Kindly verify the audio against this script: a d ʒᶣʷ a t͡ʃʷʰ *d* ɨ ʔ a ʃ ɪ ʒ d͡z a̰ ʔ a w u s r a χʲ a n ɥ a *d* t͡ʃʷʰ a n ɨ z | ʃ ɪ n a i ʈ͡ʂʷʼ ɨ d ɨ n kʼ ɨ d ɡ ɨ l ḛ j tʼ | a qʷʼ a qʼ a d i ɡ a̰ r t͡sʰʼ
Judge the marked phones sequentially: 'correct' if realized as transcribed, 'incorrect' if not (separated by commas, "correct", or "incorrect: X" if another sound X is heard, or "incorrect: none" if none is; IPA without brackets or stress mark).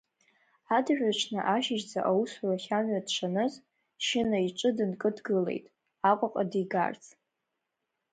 incorrect: n, correct